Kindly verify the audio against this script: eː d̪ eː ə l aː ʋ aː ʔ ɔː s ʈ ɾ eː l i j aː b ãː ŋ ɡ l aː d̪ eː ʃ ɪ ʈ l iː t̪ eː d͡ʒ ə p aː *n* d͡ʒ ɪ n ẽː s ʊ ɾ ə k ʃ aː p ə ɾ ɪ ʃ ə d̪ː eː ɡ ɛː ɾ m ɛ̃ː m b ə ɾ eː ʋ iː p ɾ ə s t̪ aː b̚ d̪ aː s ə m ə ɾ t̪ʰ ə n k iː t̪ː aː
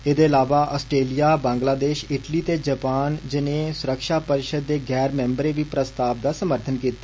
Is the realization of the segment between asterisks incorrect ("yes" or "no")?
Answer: no